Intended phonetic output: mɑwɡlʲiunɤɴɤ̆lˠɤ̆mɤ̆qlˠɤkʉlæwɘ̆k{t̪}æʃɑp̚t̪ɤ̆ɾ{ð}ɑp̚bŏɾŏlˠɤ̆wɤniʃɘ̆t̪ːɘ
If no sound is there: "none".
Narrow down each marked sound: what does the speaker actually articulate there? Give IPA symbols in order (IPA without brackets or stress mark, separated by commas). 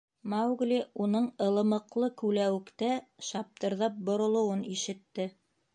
t̪, ð